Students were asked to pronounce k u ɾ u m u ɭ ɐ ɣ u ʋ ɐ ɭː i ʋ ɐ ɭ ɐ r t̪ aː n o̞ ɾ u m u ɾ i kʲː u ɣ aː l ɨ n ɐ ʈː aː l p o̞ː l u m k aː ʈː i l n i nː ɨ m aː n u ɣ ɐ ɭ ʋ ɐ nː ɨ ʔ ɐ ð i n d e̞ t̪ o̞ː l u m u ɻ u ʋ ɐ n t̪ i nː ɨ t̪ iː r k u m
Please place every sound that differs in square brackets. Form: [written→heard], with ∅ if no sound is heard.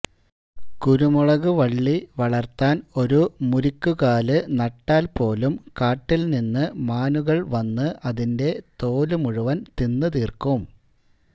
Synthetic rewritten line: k u ɾ u m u ɭ ɐ ɣ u ʋ ɐ ɭː i ʋ ɐ ɭ ɐ r t̪ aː n o̞ ɾ u m u ɾ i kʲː u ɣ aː l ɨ n ɐ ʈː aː l p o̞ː l u m k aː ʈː i l n i nː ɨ m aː n u ɣ ɐ ɭ ʋ ɐ nː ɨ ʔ ɐ ð i n d e̞ t̪ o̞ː l u m u ɻ u ʋ ɐ n t̪ i nː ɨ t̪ iː r k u m